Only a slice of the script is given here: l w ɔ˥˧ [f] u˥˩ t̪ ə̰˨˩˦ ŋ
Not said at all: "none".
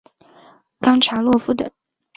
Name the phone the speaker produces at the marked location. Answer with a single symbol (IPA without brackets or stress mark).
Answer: f